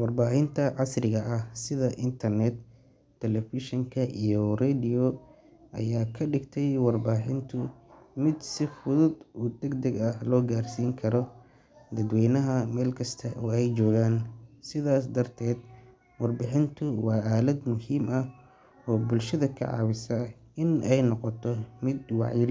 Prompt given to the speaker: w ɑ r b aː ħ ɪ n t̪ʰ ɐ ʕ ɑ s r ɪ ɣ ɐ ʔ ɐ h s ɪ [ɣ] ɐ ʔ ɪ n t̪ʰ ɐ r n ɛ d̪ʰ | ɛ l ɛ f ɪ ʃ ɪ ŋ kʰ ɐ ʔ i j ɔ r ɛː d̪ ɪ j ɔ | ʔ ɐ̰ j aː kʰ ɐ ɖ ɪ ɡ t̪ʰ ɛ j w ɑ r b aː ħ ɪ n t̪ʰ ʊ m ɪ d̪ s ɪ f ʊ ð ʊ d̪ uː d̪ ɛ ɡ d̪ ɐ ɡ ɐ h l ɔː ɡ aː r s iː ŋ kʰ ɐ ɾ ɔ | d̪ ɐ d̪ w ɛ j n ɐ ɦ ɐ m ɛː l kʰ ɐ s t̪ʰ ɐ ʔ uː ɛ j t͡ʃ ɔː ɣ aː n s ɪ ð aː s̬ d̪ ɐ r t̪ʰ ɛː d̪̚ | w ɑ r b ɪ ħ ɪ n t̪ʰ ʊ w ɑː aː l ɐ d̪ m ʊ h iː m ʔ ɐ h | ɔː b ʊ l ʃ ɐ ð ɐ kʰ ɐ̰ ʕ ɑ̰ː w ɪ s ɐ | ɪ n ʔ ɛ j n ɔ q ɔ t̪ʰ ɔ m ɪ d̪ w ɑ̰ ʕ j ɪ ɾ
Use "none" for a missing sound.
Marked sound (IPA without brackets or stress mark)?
ð